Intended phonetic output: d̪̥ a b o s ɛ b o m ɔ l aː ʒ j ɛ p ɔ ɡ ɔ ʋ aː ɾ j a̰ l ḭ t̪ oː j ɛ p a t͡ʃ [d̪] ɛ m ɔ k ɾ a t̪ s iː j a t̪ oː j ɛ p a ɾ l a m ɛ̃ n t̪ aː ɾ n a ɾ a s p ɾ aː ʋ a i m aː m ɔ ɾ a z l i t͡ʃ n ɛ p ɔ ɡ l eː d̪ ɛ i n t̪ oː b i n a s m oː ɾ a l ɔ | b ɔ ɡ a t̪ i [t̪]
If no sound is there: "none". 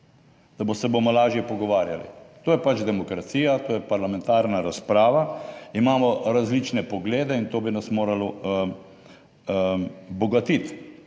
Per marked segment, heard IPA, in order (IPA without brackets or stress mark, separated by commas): d̪, t̪